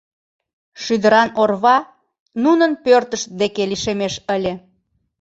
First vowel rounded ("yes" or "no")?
yes